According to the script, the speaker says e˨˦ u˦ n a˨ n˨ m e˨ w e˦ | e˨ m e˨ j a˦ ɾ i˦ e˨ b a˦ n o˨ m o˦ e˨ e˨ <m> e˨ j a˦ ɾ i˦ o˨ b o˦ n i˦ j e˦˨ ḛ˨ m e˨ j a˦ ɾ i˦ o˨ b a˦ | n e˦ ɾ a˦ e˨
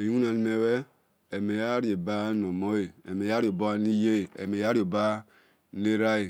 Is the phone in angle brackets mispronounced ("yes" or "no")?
no